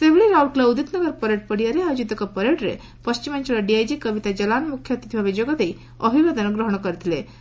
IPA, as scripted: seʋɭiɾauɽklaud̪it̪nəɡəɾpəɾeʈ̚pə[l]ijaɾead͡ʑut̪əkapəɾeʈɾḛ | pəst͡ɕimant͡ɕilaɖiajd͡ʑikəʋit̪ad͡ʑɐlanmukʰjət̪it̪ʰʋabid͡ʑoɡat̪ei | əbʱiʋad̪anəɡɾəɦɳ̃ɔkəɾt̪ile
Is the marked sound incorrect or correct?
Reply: incorrect